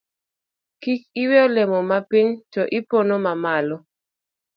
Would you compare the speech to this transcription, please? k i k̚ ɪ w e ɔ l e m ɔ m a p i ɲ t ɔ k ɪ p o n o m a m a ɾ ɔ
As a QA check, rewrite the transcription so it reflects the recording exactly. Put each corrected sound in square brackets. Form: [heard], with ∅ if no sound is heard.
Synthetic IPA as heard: k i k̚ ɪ w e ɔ l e m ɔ m a p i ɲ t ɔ [ʔ] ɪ p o n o m a m a [l] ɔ